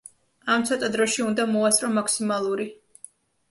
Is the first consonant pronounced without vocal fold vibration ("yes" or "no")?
no